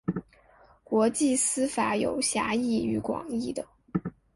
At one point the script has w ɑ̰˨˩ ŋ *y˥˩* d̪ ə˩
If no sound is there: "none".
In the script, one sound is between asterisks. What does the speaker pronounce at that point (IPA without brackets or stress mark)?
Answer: i˥˩